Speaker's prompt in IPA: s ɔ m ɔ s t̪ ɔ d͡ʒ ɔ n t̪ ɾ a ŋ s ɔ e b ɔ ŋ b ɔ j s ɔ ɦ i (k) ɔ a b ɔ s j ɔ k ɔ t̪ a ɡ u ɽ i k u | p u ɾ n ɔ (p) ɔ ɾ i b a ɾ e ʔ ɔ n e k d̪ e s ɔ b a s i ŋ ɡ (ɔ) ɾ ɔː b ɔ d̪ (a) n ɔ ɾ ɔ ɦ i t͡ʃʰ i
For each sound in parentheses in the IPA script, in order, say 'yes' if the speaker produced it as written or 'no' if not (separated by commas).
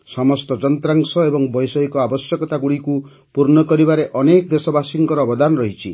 yes, no, yes, yes